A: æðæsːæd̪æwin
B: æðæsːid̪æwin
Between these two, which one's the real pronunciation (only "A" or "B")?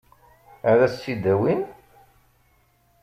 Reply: B